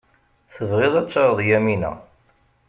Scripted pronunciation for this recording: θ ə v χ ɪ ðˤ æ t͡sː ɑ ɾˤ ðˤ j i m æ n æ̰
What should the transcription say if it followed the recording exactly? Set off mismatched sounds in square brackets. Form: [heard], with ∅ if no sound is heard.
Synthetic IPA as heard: θ ə v [ʁ] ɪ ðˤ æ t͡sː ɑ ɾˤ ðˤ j [æ] m [i] n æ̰